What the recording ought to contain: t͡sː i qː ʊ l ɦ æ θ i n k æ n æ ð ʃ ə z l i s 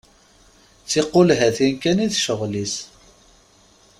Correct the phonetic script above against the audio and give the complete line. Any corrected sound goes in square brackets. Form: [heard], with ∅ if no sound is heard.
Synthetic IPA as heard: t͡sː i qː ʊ l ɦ æ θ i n k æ n [i] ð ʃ ə [ʁ] l i s